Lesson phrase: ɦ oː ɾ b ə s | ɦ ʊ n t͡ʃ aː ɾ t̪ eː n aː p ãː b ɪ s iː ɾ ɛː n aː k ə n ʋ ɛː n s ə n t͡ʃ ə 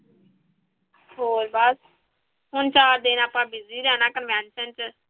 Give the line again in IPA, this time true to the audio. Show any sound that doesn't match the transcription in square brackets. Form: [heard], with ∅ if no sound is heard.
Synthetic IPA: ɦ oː ɾ b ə s | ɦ ʊ n t͡ʃ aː ɾ [d̪] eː n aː p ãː b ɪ [z] iː ɾ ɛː n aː k ə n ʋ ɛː n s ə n t͡ʃ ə